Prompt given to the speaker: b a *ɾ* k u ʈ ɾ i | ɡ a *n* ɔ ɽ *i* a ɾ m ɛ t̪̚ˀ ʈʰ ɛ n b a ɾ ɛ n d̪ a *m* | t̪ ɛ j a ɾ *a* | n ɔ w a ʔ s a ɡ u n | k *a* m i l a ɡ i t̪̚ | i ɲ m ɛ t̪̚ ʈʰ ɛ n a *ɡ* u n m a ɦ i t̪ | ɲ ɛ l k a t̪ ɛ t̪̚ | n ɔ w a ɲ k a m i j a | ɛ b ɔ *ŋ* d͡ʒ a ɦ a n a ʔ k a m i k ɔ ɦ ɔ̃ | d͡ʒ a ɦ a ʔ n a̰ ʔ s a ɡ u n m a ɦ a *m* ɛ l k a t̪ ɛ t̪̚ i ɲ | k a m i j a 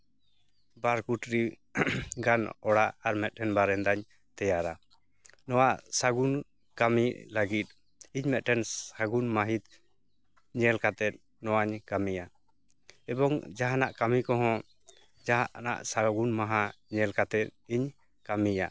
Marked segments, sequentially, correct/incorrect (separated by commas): correct, correct, incorrect, incorrect, correct, correct, correct, correct, incorrect